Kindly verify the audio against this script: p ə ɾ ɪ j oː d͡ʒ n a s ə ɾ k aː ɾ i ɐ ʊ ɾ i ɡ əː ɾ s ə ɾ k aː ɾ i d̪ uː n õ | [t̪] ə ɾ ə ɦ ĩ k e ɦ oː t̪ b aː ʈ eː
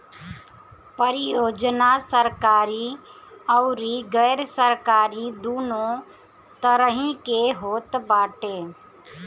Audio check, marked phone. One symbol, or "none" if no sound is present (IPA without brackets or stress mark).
t̪